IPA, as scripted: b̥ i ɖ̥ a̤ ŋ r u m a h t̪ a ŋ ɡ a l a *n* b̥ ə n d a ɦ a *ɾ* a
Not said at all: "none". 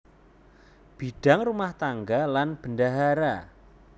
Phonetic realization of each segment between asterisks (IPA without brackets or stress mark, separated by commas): n, ɾ